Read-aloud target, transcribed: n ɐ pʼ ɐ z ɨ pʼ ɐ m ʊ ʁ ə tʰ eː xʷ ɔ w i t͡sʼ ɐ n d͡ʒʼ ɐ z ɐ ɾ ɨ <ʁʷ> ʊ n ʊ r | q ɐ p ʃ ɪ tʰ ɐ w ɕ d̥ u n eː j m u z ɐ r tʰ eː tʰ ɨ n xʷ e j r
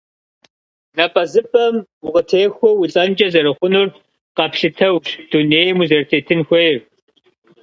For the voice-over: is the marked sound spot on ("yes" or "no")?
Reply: no